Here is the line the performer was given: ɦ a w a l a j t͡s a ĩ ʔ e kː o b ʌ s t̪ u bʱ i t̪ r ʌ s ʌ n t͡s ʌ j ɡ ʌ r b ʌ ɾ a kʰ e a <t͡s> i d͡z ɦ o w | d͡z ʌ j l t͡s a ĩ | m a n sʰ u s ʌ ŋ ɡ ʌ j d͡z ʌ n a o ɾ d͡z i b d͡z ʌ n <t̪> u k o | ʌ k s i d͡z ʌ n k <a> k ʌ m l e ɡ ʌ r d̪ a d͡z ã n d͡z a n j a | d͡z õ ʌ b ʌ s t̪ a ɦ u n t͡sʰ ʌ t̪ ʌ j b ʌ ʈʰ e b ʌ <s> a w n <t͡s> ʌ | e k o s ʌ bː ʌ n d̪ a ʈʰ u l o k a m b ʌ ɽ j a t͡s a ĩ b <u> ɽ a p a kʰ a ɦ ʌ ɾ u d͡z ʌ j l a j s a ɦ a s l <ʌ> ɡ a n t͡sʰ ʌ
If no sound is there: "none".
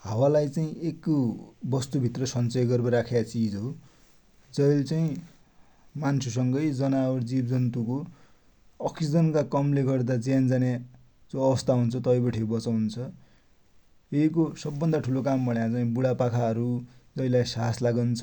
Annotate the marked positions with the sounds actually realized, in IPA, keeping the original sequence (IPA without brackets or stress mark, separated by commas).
t͡s, t̪, a, t͡s, t͡sʰ, u, a